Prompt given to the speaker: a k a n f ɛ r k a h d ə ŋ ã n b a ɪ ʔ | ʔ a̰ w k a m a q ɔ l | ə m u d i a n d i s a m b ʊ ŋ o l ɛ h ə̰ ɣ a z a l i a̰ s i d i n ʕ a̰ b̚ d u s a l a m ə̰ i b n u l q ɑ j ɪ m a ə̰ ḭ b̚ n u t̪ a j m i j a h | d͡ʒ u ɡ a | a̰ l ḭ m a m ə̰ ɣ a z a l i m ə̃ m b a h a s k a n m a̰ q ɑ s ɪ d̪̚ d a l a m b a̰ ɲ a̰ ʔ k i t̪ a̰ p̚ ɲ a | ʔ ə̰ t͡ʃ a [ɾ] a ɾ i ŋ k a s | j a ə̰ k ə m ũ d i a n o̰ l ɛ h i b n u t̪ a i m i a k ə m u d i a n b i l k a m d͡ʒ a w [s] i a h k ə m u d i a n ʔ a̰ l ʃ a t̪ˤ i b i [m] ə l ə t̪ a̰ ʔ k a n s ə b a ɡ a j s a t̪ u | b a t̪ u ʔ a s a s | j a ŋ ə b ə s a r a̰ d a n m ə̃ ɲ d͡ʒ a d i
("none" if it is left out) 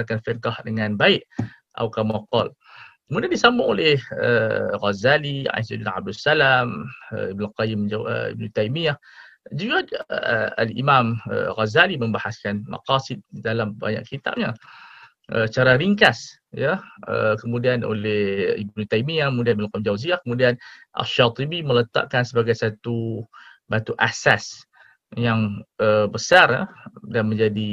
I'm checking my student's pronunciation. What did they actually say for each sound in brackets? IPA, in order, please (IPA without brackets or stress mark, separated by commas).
ɾ, z, m